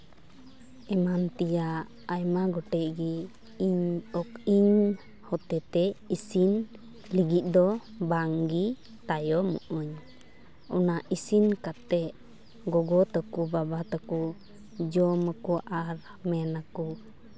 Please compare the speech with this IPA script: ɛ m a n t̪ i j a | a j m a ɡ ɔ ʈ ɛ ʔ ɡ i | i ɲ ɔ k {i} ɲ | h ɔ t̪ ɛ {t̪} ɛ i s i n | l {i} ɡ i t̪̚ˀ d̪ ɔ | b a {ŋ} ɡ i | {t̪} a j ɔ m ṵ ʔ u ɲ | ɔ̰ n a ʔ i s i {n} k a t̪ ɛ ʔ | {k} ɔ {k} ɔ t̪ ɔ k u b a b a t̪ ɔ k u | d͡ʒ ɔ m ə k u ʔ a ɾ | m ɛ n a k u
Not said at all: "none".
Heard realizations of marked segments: i, t̪, i, ŋ, t̪, n, ɡ, ɡ

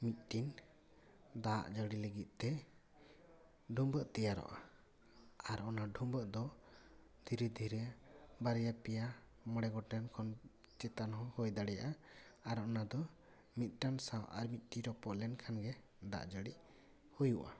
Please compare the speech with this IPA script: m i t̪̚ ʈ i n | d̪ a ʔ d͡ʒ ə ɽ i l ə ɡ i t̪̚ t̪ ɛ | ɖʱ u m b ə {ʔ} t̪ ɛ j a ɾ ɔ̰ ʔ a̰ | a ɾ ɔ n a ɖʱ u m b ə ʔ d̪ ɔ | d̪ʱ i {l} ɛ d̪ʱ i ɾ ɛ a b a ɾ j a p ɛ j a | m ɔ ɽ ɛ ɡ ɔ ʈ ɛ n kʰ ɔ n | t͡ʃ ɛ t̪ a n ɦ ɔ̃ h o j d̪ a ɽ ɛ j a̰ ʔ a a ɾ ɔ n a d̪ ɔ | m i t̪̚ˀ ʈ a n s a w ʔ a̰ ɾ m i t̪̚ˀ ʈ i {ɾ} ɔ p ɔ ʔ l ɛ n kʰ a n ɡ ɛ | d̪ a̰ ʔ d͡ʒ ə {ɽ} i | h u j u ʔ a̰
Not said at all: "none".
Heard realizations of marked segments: ʔ, ɾ, ɾ, ɽ

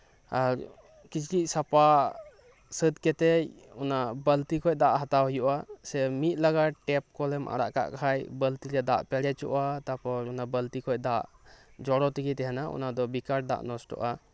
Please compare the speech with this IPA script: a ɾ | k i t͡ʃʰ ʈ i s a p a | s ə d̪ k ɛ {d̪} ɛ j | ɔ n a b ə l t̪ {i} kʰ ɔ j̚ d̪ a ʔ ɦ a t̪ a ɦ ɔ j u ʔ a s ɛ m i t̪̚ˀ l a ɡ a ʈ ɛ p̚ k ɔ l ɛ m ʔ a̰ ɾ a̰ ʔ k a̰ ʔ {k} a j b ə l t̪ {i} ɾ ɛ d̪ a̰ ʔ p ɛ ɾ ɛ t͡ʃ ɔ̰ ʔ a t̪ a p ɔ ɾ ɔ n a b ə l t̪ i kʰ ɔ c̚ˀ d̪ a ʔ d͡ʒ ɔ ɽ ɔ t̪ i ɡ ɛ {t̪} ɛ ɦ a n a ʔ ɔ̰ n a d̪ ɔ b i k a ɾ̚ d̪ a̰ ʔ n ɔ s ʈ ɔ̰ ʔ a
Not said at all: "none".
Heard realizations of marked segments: t̪, i, kʰ, i, t̪

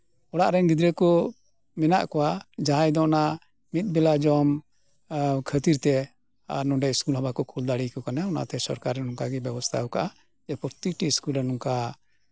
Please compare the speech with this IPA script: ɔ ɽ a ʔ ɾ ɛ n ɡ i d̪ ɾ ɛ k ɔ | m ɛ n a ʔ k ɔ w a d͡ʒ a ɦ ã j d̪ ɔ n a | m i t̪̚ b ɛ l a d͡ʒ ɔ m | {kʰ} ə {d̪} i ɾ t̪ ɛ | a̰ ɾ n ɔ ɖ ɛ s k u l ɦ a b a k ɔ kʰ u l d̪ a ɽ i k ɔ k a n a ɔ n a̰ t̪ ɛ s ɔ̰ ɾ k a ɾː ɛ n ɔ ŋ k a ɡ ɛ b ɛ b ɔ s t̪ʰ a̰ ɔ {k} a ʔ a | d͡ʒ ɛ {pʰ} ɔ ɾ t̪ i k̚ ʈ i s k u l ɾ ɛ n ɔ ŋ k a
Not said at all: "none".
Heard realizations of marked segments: kʰ, t̪, k, p

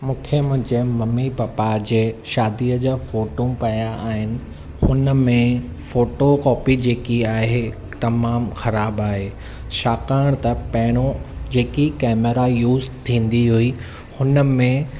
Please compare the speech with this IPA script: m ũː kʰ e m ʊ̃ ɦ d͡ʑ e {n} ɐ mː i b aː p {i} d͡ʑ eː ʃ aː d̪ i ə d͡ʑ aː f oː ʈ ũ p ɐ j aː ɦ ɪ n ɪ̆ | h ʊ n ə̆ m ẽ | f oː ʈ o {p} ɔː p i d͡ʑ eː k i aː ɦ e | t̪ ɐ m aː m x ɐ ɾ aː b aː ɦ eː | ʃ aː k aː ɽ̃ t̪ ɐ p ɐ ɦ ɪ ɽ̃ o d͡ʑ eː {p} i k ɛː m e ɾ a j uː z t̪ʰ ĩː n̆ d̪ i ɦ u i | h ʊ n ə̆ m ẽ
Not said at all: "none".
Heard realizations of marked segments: m, a, k, k

